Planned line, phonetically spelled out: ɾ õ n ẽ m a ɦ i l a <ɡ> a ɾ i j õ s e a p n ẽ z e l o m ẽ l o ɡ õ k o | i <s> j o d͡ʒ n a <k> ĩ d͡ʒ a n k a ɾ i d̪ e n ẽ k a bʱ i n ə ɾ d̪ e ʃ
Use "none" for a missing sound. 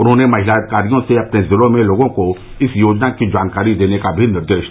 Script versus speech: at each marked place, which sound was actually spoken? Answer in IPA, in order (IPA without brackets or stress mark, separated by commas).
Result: k, s, k